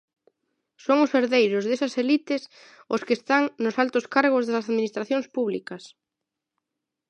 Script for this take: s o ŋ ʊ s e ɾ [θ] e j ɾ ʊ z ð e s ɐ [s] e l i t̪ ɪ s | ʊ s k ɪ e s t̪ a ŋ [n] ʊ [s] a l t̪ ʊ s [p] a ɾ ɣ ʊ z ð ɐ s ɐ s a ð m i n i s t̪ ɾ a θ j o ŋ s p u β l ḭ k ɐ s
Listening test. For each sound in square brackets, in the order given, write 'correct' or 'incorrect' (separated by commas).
incorrect, correct, correct, correct, incorrect